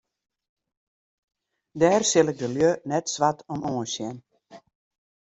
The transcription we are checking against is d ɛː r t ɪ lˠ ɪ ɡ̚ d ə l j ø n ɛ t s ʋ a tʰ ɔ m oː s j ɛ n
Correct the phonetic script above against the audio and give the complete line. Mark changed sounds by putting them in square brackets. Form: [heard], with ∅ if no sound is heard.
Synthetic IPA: d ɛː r [s] ɪ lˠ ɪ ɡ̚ d ə l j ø n ɛ t s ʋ a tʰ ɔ m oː s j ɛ n

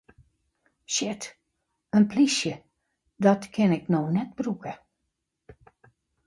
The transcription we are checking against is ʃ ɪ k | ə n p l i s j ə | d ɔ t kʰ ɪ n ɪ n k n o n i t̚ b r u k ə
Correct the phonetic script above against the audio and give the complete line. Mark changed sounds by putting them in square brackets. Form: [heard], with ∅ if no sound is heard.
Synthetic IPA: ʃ ɪ [t] | ə n p l i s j ə | d ɔ t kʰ ɪ n ɪ [∅] k n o n [ɛ] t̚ b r u k ə

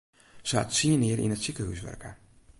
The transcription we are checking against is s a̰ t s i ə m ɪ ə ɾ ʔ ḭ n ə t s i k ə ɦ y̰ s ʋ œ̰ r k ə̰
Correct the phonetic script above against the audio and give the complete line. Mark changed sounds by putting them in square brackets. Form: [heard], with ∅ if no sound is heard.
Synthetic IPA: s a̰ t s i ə [n] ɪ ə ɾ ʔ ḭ n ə t s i k ə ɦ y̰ s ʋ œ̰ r k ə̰

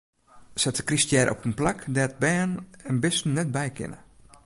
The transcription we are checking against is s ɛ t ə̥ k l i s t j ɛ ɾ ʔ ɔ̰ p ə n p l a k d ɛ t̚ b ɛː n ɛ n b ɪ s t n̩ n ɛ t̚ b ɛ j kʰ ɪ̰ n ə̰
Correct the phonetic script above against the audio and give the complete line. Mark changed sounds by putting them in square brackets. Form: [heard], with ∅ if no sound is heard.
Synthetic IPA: s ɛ t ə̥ k [r] i s t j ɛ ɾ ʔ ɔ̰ p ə n p l a k d ɛ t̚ b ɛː n ɛ n b ɪ s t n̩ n ɛ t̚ b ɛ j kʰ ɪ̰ n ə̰

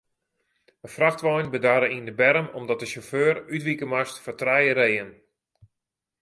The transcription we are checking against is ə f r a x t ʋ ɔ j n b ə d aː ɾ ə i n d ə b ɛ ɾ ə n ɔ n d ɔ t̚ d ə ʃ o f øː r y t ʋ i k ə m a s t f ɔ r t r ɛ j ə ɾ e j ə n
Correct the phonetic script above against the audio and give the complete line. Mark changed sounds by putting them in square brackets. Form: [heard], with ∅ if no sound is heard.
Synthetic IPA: ə f r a x t ʋ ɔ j n b ə d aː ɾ ə i n d ə b ɛ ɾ ə [m] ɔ [m] d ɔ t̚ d ə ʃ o f øː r y t ʋ i k ə m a s t f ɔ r t r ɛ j ə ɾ e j ə n

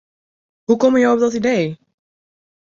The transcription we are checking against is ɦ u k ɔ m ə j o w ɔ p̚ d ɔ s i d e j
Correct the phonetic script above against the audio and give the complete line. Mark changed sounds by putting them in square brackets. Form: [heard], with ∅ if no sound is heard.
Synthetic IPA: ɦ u k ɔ m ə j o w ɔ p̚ d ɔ [t] i d e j

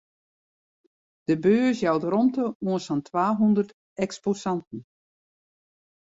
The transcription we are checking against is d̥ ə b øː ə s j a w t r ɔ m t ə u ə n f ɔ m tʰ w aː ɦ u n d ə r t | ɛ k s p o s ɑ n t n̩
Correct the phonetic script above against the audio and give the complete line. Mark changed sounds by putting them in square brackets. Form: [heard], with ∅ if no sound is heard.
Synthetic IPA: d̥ ə b øː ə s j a w t r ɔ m t ə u ə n [s] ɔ [n] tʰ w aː ɦ u n d ə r t | ɛ k s p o s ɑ n t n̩

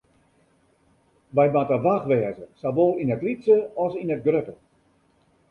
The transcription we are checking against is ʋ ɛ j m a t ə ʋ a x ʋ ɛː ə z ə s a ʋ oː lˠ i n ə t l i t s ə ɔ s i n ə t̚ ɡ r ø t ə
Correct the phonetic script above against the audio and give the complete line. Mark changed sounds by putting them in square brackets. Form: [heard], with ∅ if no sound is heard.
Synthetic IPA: ʋ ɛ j m a t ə ʋ a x ʋ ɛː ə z ə s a ʋ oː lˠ i n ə t l i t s ə ɔ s i n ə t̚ ɡ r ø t ə

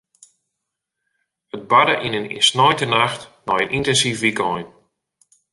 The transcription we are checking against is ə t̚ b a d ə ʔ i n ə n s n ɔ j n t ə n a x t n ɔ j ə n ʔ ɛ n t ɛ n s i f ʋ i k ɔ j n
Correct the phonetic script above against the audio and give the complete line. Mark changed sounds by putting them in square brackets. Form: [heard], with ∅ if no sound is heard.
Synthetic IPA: ə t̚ b a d ə ʔ i n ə n s n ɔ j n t ə n a x t n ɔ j ə n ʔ [i] n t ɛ n s i f ʋ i k ɔ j n

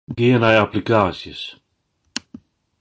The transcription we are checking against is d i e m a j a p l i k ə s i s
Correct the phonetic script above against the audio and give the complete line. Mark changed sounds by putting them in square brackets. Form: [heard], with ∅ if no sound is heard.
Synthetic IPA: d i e [n] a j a p l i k [a] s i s

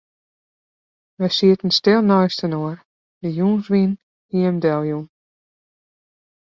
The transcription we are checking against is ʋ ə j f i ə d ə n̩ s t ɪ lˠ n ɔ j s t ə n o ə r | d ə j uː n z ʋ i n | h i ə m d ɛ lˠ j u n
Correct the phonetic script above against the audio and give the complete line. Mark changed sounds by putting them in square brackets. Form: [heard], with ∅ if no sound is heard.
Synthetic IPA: ʋ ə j [s] i ə [t] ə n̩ s t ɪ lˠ n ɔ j s t ə n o ə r | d ə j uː n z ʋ i n | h i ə m d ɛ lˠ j u n

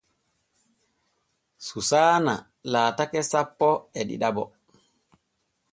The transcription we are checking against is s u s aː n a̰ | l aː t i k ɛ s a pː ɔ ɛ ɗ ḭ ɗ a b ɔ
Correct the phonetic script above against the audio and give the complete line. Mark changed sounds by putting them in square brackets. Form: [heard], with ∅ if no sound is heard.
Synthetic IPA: s u s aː n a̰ | l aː t [a] k ɛ s a pː ɔ ɛ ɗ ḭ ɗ a b ɔ

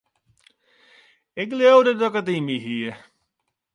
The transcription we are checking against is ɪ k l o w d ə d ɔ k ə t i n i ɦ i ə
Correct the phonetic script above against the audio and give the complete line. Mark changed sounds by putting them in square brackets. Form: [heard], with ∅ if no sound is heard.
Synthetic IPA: ɪ k l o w d ə d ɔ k ə t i [m] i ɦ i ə

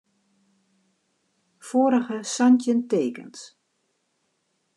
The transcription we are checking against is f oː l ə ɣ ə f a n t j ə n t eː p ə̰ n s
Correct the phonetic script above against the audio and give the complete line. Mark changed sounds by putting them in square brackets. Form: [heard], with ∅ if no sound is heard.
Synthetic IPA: f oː [ɾ] ə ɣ ə [s] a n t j ə n t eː [k] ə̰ n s

